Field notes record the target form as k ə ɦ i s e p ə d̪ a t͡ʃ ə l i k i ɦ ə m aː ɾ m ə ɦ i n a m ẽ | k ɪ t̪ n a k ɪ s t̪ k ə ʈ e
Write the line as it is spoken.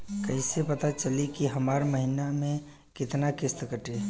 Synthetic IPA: k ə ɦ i s e p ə t̪ a t͡ʃ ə l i k i ɦ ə m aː ɾ m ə ɦ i n a m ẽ | k ɪ t̪ n a k ɪ s t̪ k ə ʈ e

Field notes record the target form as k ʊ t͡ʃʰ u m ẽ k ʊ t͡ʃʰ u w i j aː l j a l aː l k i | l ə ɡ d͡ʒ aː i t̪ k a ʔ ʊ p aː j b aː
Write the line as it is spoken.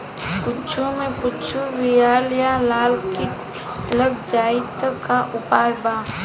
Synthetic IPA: k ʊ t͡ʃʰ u m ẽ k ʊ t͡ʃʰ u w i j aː l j a l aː l k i | l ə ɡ d͡ʒ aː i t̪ k a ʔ ʊ p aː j b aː

